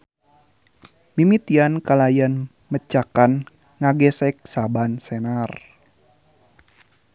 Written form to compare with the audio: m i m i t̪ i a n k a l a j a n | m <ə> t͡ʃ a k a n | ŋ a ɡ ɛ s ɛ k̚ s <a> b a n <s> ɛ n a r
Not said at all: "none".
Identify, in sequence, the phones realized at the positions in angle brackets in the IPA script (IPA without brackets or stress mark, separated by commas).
ə, a, s